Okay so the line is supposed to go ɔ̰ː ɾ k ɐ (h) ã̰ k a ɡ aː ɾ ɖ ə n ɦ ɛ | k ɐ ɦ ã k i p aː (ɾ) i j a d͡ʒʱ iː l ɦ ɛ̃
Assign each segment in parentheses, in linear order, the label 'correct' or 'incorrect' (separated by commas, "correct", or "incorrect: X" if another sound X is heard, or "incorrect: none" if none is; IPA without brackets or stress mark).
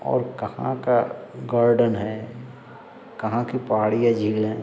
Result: correct, incorrect: ɽ